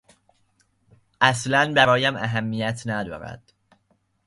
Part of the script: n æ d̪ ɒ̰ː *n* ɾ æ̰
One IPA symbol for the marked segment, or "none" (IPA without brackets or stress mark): none